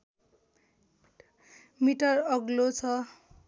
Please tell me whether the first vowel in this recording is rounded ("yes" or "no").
no